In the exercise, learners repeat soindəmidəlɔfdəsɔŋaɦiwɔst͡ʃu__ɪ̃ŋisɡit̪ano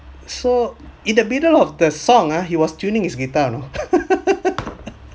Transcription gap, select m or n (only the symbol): n